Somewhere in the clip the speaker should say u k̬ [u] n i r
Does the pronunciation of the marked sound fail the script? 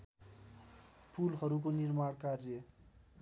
yes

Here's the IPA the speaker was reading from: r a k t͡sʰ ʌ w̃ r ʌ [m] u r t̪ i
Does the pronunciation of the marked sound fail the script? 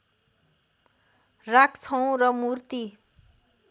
no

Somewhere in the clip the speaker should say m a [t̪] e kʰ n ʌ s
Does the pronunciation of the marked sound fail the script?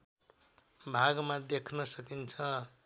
yes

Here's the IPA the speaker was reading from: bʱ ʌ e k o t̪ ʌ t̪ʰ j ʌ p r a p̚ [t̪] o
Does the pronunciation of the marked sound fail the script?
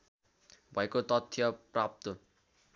no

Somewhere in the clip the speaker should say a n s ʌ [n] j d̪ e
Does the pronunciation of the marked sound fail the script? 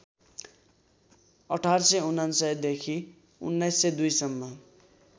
yes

